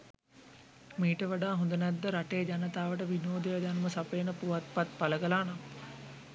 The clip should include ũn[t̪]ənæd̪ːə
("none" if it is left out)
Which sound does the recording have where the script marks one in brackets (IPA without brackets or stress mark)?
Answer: d̪